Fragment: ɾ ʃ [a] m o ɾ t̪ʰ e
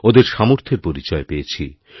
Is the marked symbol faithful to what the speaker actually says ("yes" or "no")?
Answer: yes